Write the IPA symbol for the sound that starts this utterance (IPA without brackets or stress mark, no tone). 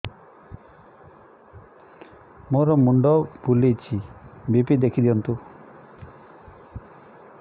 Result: m